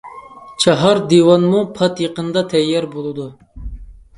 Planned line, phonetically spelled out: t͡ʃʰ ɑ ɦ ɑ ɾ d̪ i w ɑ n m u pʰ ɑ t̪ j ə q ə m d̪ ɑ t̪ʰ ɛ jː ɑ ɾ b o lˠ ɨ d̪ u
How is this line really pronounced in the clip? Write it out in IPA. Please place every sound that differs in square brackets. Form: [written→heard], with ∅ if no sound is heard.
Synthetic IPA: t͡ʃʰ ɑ ɦ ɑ ɾ d̪ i w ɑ n m u pʰ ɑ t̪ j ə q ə [m→n] d̪ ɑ t̪ʰ ɛ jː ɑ ɾ b o lˠ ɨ d̪ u